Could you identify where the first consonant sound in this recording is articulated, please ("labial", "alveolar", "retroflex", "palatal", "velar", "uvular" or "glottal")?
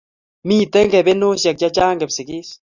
labial